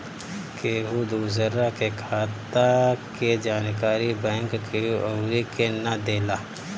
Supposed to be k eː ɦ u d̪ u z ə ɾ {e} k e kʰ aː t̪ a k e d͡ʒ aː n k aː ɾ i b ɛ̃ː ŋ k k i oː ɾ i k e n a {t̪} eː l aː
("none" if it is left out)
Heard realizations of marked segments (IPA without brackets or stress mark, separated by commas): a, d̪